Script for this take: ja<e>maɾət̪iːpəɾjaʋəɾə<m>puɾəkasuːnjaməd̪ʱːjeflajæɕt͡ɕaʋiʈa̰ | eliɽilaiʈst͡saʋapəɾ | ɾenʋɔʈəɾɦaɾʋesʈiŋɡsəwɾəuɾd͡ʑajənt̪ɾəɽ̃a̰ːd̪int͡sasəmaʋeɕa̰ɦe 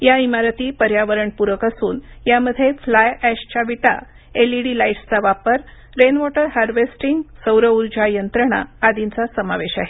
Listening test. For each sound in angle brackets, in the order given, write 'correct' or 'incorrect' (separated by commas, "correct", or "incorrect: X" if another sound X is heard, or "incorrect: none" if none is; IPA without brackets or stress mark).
incorrect: i, incorrect: ɳ